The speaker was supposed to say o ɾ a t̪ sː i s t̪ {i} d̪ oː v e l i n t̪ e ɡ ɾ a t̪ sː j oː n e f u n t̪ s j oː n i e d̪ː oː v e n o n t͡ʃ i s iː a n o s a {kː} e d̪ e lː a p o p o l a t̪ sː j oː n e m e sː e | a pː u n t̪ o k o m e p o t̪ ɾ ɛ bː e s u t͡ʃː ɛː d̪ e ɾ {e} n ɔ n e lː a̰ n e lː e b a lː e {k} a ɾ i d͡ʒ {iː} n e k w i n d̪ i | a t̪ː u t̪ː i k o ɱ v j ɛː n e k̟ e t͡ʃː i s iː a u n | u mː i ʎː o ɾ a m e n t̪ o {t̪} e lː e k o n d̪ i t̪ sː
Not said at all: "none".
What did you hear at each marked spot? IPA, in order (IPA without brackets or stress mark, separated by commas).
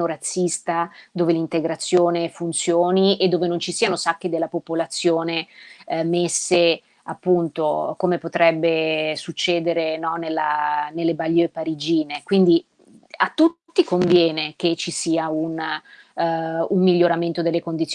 a, kː, e, p, iː, d̪